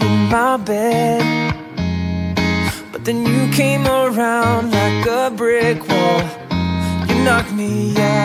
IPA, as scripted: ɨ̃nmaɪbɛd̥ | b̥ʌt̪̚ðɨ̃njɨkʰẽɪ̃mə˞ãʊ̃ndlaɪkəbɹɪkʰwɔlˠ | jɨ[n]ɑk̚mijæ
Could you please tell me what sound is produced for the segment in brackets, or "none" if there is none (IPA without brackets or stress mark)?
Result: n